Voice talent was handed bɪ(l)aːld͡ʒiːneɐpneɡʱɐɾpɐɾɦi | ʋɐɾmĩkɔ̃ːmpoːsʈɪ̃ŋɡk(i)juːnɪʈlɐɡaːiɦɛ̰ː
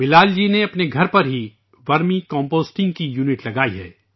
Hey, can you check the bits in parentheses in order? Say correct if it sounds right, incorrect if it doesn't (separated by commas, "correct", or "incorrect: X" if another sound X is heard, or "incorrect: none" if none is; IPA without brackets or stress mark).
correct, correct